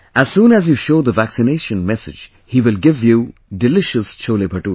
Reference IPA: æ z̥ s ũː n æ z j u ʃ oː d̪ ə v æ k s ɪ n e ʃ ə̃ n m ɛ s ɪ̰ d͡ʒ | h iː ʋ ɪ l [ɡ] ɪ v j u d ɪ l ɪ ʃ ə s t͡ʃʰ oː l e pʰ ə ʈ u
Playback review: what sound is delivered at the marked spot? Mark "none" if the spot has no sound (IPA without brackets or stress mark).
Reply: ɡ